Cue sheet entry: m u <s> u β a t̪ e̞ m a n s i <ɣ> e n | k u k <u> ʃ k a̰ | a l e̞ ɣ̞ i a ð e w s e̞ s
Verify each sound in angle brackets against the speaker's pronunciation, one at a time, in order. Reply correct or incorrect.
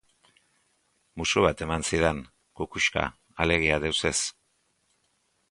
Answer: correct, incorrect: ð, correct

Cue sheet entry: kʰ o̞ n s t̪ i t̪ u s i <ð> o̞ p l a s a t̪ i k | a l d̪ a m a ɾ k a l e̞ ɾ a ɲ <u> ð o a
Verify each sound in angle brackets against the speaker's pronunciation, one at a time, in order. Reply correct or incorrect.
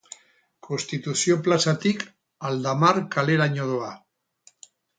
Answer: incorrect: none, incorrect: o

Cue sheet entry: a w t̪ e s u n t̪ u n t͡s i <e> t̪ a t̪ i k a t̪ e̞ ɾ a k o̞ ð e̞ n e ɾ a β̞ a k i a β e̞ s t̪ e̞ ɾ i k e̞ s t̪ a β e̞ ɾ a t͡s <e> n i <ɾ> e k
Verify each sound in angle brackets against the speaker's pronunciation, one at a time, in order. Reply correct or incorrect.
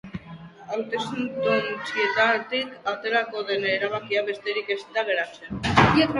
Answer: correct, correct, incorrect: none

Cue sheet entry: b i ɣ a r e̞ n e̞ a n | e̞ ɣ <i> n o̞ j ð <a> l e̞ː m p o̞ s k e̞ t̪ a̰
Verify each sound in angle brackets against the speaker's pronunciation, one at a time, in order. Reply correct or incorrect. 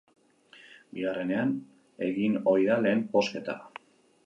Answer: correct, correct

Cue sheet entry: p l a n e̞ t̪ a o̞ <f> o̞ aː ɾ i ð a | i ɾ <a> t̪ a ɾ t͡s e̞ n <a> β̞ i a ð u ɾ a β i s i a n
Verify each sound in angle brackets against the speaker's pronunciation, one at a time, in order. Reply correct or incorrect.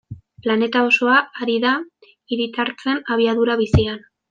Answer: incorrect: s, incorrect: i, correct

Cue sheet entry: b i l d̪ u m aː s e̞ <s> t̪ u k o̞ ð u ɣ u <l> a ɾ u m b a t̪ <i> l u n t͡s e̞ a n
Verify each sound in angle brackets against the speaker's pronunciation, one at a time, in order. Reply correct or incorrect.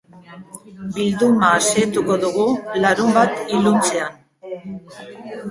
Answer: incorrect: none, correct, correct

